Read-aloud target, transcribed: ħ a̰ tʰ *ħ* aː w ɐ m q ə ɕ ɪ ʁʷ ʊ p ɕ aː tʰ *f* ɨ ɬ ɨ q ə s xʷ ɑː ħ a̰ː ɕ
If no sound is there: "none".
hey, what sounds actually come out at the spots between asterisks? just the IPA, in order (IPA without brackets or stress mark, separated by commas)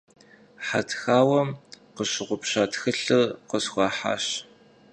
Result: x, x